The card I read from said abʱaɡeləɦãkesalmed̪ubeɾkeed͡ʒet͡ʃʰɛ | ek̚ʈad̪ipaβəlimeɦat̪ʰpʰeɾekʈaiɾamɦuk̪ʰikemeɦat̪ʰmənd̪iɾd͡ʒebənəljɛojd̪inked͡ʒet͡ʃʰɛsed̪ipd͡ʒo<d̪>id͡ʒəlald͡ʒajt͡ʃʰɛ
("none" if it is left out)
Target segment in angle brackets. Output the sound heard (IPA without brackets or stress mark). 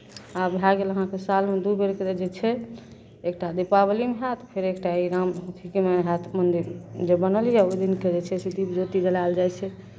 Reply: t̪